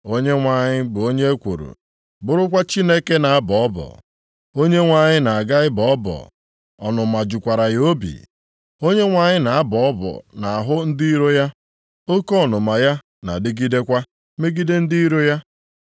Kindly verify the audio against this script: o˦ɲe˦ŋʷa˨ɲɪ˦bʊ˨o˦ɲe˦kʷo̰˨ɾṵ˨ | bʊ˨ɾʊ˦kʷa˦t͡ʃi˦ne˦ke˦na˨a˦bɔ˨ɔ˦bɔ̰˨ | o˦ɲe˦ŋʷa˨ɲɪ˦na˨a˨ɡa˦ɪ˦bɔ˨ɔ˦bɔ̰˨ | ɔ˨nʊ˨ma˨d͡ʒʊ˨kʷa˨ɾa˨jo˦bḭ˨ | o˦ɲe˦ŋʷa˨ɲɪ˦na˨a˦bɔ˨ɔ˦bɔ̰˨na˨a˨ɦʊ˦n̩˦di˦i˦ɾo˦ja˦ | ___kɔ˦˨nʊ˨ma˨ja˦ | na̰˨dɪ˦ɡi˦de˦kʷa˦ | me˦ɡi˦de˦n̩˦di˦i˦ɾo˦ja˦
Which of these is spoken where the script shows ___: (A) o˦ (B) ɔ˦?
A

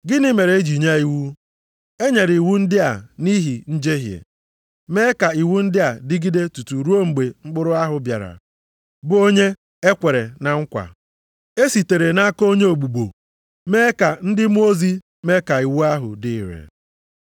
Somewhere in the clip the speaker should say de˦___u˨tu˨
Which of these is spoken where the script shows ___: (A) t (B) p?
A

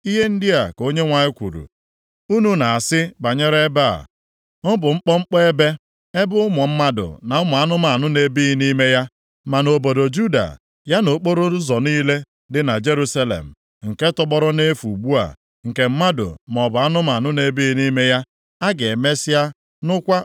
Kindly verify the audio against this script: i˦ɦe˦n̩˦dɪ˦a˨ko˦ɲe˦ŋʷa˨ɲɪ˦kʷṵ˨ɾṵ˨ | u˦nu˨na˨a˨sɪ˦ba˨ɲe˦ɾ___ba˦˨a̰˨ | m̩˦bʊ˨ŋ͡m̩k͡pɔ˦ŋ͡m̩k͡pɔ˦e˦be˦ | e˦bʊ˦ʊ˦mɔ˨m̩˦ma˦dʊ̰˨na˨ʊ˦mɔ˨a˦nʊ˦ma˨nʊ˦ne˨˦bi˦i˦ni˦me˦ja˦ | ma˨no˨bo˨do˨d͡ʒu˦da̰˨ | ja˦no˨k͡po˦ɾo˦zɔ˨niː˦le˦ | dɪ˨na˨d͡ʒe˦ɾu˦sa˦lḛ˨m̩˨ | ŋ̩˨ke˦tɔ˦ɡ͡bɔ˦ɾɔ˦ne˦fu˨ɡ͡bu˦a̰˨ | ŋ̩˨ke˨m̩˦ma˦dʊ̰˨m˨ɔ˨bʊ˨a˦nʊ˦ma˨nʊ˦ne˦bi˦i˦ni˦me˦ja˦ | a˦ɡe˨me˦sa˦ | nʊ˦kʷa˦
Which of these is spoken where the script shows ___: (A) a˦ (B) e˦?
B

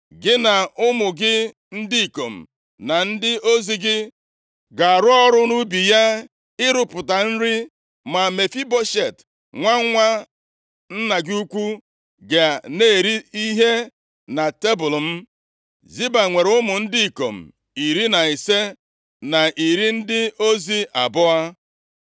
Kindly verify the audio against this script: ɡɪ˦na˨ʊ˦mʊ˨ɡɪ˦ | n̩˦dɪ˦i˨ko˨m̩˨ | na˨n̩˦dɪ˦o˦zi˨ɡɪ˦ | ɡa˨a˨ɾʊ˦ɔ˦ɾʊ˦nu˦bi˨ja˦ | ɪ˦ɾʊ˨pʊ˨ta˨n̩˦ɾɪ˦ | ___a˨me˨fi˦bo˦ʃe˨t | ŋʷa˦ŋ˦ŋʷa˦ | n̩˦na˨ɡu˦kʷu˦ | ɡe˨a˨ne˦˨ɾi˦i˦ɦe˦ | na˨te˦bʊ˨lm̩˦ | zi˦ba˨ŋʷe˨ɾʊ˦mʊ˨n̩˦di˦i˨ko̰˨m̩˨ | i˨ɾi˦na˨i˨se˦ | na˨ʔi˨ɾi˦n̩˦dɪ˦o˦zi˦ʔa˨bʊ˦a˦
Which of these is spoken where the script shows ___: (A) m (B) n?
A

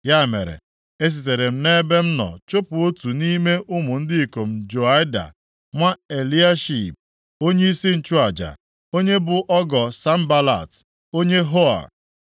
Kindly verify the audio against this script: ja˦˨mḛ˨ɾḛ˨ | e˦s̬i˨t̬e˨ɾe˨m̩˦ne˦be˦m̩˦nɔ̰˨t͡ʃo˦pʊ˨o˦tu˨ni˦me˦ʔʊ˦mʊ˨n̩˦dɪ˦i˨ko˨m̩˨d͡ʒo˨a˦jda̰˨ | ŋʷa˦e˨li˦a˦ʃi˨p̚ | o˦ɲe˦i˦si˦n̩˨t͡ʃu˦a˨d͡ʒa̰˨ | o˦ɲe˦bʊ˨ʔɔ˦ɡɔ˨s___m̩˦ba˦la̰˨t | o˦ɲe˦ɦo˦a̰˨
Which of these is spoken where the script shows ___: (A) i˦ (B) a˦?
B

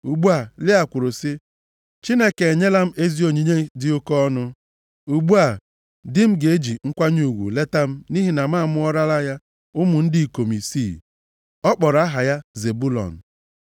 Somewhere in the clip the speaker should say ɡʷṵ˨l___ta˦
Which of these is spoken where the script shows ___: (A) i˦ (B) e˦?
B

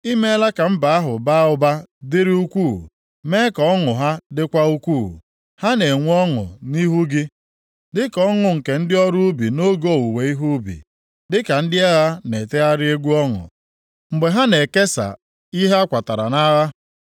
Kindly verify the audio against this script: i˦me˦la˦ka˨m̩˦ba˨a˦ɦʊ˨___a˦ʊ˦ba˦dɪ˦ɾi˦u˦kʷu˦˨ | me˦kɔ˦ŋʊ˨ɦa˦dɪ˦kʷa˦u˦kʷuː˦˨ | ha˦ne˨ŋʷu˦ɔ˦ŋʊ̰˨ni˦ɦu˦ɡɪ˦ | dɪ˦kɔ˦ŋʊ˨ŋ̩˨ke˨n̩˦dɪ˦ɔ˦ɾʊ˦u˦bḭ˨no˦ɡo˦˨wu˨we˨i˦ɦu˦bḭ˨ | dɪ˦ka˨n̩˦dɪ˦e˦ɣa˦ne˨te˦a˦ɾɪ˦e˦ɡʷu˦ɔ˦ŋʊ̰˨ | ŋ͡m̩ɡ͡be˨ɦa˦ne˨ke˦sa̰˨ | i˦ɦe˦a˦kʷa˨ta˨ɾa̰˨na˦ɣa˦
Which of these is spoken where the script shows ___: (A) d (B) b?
B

